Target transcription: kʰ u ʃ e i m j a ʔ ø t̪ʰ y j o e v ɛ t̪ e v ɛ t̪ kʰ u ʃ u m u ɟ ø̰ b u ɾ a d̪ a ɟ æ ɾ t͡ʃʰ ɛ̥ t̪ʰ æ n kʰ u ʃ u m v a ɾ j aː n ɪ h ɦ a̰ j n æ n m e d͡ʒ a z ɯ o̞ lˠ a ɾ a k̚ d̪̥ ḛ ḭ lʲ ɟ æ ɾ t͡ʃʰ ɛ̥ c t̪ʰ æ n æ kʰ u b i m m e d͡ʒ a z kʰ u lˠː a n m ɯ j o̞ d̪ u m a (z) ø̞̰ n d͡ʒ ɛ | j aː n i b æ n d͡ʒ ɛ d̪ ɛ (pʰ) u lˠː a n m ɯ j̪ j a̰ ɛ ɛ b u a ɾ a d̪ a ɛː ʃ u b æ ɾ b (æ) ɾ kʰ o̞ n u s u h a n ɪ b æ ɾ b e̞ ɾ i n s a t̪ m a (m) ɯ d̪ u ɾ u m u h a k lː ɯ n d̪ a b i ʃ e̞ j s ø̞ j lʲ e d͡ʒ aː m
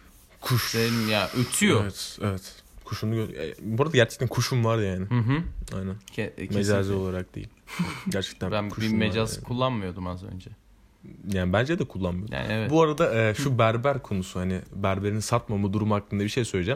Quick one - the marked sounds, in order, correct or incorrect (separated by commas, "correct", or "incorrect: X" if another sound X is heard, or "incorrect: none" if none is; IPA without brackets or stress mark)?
correct, incorrect: kʰ, correct, correct